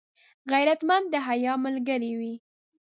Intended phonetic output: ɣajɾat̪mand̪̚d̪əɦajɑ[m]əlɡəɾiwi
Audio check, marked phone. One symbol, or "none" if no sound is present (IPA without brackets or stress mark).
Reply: m